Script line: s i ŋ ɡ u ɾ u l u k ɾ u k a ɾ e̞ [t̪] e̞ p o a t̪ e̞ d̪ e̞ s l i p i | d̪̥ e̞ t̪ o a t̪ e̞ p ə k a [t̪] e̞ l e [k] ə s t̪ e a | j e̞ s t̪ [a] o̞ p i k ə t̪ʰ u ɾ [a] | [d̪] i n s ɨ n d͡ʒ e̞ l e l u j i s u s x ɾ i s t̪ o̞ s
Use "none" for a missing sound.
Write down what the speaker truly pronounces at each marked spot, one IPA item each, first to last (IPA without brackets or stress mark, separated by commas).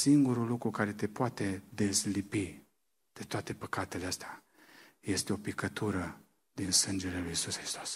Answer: t̪, t̪, none, e, ə, d̪